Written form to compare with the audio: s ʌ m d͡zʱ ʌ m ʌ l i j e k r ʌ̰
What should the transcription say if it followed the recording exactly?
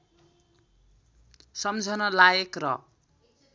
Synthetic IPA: s ʌ m d͡zʱ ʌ n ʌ l a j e k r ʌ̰